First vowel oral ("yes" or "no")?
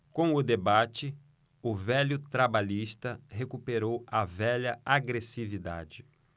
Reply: no